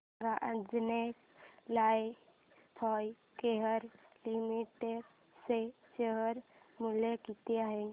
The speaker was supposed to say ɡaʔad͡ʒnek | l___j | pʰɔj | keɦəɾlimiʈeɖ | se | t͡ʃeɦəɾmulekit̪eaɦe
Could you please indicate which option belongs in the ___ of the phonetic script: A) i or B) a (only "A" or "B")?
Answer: B